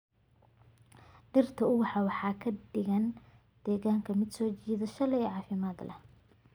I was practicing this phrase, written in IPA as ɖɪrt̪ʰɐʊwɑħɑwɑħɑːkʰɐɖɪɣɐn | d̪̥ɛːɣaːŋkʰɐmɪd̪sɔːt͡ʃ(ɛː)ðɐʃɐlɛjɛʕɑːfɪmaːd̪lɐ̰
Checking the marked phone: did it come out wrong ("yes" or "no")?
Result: yes